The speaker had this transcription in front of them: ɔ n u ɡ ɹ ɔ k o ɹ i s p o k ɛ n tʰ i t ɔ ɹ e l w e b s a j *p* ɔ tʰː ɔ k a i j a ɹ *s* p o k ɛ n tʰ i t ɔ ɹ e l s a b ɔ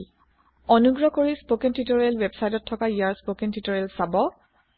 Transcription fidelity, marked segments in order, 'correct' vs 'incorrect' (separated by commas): incorrect, correct